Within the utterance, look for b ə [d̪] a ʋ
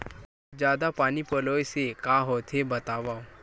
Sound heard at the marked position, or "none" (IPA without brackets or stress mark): t̪